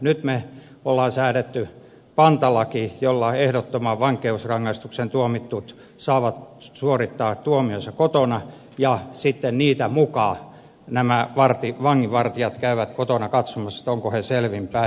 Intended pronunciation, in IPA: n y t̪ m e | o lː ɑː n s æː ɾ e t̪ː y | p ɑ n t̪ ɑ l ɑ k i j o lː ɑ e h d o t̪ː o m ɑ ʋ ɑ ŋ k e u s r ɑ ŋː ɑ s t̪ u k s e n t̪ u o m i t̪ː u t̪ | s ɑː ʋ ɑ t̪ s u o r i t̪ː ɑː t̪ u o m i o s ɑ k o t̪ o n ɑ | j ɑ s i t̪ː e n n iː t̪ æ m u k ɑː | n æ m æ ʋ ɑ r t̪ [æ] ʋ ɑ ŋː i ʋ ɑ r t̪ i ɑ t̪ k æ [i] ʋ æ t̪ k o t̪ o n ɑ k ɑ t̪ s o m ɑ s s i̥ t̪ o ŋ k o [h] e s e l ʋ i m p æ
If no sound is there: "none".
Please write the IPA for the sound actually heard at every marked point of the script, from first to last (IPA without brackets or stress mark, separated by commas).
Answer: i, y, h